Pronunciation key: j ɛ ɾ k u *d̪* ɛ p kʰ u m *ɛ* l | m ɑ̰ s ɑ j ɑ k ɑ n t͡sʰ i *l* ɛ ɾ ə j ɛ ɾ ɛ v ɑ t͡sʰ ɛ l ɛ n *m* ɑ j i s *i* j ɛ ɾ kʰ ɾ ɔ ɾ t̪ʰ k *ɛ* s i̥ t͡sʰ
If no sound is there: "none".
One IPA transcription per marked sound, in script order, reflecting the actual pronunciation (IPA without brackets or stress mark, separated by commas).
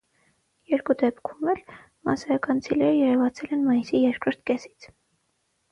d̪, ɛ, l, m, i, ɛ